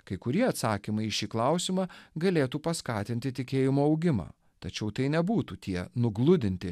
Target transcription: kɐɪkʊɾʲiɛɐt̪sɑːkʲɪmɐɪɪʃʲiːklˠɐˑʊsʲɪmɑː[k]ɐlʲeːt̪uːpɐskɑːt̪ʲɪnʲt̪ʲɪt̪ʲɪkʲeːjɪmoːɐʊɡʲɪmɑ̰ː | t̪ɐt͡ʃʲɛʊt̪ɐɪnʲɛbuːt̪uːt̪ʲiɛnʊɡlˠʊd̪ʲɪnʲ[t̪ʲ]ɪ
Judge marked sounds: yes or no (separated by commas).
no, yes